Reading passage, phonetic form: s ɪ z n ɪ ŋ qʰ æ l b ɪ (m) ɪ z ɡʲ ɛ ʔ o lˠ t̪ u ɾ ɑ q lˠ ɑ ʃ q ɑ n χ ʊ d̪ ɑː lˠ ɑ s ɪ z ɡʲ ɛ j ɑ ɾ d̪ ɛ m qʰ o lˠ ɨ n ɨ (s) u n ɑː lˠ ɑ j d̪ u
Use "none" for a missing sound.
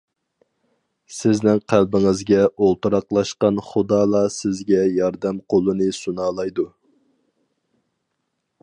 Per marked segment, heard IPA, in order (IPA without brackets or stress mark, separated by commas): ŋ, s